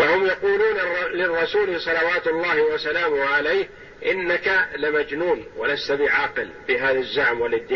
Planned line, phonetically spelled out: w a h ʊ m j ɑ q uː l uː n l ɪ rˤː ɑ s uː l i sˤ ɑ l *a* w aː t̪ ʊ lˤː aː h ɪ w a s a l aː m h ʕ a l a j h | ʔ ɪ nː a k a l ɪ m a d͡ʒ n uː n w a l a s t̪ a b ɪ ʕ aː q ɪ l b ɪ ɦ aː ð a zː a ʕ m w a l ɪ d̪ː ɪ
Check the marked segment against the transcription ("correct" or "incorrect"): incorrect